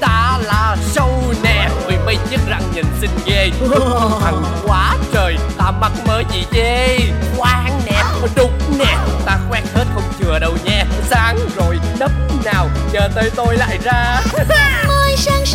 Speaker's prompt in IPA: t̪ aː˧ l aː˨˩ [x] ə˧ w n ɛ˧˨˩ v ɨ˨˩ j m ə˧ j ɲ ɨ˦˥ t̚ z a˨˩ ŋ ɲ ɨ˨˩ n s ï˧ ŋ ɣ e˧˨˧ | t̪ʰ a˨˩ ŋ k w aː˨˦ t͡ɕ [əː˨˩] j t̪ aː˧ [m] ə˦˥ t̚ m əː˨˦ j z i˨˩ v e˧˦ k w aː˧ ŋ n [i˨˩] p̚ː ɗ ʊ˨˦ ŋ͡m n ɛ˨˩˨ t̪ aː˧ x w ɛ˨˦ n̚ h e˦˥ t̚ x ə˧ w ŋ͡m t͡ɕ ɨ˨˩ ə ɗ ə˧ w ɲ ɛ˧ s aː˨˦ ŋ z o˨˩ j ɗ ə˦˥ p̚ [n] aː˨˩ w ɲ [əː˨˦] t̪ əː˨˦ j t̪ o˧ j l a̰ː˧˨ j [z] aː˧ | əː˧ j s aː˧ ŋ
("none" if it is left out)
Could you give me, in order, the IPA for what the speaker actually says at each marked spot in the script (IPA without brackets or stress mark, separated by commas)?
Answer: s, əː˨˩, m, ɛ˨˩, n, əː˨˩, z